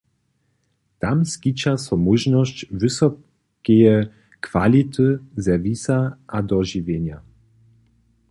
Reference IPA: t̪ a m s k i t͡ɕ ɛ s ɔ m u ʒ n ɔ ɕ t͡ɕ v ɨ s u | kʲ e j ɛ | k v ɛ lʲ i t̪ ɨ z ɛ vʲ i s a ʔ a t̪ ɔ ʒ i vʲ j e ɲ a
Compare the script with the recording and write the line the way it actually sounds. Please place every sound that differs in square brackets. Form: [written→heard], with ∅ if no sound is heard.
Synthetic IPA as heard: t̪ a m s k i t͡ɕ [ɛ→a] s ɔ m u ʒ n ɔ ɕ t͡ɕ v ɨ s [u→ɔ] | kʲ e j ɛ | k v [ɛ→a] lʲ i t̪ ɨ z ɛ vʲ i s a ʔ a [t̪→d̪] ɔ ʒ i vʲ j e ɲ a